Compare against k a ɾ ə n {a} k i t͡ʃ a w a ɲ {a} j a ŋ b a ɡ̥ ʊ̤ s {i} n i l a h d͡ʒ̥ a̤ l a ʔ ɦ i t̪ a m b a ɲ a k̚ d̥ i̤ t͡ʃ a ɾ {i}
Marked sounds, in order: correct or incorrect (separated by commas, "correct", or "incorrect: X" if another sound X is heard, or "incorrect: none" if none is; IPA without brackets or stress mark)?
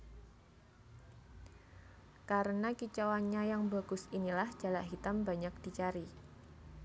correct, correct, correct, correct